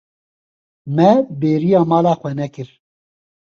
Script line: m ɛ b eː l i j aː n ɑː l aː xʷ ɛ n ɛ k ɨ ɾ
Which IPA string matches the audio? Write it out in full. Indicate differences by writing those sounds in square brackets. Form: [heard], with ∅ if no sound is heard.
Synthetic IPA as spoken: m ɛ b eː [ɾ] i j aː [m] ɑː l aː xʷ ɛ n ɛ k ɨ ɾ

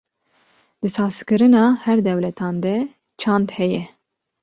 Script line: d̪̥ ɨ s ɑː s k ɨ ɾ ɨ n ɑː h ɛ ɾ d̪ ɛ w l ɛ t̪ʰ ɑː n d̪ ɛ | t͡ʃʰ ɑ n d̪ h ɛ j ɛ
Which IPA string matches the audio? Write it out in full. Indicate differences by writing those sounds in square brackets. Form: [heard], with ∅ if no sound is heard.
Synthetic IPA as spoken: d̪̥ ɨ s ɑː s k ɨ ɾ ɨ n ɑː h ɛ ɾ d̪ ɛ w l ɛ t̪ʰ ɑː n d̪ ɛ | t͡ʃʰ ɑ n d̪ h ɛ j ɛ

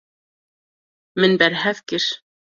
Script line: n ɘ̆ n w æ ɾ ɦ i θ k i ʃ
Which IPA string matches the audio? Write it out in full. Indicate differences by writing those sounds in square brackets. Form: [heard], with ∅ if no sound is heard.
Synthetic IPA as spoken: [m] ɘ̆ n [b] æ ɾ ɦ [æ] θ k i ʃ

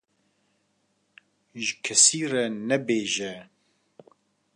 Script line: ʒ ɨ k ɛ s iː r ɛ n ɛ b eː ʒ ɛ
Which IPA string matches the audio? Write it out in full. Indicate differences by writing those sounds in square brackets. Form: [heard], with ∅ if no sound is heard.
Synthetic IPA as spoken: ʒ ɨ [kʰ] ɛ s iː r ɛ n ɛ b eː ʒ ɛ

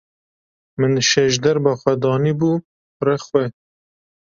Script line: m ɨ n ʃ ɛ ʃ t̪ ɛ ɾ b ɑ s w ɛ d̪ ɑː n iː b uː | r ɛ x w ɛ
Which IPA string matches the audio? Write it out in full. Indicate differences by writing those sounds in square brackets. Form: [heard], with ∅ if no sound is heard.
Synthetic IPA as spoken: m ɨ n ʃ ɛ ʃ [d̪] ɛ ɾ b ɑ [x] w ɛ d̪ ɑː n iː b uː | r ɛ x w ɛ

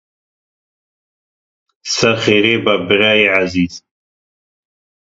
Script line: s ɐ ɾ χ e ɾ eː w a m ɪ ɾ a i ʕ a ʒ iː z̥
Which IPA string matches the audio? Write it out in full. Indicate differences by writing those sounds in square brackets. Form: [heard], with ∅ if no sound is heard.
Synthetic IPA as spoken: s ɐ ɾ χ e ɾ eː [b] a [b] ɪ ɾ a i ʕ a [z] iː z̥

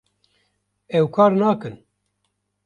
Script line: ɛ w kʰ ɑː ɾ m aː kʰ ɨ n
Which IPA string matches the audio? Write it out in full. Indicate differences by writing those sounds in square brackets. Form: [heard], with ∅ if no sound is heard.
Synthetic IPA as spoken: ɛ w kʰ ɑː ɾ [n] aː [k] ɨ n

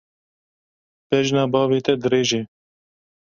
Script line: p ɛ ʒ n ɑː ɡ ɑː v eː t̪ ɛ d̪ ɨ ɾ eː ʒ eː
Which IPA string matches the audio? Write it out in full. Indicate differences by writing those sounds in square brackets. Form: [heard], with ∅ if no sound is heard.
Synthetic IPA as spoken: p ɛ ʒ n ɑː [b] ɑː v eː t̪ ɛ d̪ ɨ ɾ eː ʒ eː

